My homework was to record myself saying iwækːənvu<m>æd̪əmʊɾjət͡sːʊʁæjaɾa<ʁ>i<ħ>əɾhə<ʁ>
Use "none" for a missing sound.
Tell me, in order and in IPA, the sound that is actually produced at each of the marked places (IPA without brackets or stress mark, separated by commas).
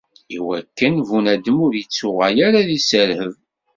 n, ð, s, v